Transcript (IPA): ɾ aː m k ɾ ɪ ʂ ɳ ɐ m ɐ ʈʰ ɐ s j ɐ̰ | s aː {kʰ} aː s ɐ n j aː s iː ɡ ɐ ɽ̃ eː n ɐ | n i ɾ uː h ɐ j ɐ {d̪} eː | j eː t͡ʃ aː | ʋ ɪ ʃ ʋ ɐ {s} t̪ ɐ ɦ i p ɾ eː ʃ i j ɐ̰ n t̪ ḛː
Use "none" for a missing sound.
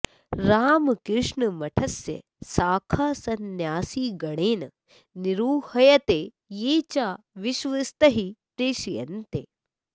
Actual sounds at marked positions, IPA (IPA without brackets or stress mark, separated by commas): kʰ, t̪, s